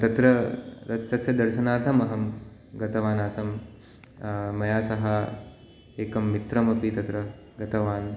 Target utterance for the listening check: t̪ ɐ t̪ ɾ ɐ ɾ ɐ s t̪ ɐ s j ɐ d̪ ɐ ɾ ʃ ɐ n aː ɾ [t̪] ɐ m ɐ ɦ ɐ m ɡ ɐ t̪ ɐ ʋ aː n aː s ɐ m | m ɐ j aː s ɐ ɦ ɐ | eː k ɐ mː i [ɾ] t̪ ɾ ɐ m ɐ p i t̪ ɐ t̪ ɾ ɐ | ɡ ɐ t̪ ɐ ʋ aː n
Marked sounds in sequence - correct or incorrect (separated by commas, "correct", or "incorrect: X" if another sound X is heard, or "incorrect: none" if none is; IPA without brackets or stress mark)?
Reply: incorrect: t̪ʰ, incorrect: none